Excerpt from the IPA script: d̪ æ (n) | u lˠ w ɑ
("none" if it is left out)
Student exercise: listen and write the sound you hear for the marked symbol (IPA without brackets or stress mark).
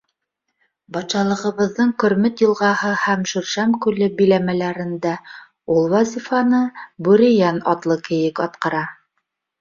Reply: none